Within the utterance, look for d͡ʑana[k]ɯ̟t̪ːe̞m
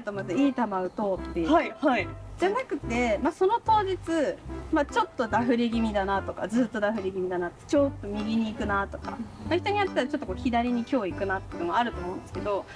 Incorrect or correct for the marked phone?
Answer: correct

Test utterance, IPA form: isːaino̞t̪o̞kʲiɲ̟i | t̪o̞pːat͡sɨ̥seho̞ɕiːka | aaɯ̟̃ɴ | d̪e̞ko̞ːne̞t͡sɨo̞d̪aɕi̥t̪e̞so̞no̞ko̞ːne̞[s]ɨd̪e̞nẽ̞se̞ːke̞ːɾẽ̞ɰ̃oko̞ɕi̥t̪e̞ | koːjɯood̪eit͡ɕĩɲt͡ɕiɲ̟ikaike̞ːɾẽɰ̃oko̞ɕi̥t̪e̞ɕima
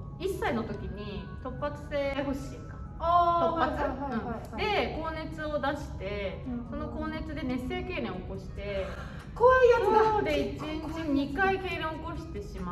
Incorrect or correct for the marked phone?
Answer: incorrect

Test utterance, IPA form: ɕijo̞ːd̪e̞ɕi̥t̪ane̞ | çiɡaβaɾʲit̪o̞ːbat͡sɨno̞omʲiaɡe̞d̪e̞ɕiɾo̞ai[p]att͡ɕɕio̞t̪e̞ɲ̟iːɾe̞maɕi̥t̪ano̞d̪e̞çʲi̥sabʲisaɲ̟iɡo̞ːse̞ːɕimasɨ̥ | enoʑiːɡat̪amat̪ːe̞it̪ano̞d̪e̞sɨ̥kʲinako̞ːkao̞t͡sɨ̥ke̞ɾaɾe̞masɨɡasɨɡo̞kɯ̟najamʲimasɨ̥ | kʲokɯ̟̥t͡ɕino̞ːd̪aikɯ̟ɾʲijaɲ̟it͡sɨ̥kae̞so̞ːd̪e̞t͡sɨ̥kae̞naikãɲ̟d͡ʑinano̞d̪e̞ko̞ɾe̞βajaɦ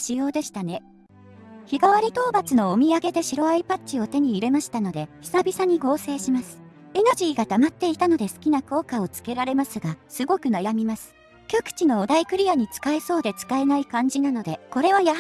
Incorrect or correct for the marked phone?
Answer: correct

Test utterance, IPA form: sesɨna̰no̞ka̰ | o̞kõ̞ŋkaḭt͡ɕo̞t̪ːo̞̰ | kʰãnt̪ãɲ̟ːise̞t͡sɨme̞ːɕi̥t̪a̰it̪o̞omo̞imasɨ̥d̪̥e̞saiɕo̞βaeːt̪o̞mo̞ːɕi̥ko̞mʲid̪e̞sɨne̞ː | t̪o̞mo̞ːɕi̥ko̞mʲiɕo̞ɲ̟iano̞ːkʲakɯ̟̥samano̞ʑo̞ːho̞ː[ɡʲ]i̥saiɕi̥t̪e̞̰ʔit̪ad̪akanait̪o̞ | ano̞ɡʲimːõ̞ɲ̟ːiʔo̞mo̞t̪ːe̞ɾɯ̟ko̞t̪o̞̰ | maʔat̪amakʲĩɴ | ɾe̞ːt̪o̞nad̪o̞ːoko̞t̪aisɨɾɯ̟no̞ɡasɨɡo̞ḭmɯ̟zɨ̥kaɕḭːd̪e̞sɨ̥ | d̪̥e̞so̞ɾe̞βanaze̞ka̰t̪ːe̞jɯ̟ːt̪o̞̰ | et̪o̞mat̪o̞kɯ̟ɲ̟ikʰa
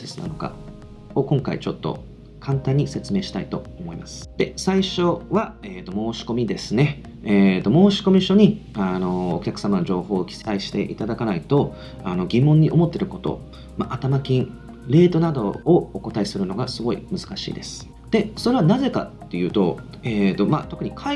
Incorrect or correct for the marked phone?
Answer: incorrect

